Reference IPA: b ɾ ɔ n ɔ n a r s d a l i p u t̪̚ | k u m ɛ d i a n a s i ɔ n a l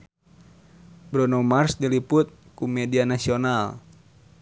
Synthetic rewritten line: b ɾ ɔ n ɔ m a r s d i l i p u t̪̚ | k u m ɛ d i a n a s i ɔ n a l